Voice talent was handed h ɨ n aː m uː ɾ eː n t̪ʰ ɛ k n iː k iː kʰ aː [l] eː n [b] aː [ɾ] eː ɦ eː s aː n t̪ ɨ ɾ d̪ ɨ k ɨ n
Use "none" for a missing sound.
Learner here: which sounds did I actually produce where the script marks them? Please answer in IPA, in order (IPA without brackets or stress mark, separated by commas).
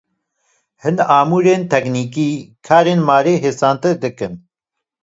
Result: ɾ, m, ɾ